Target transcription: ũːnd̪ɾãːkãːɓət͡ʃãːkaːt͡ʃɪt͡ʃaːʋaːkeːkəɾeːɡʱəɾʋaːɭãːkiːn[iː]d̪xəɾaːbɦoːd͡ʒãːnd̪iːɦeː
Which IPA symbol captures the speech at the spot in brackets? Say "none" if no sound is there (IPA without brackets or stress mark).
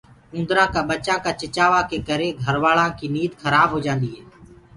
iː